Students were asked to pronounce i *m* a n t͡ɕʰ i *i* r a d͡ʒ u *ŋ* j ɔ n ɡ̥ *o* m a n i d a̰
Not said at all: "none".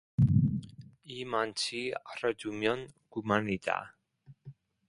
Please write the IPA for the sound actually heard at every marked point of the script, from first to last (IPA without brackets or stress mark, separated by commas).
m, a, m, u